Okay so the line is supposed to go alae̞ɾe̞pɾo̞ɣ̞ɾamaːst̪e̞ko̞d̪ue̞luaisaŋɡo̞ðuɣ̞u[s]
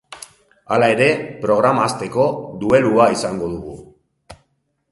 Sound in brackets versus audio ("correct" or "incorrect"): incorrect